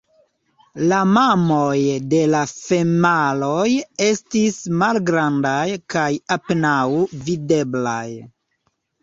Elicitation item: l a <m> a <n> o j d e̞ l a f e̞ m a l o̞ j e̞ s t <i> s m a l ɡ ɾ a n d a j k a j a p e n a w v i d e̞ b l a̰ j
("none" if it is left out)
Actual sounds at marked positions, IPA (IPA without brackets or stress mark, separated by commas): m, m, i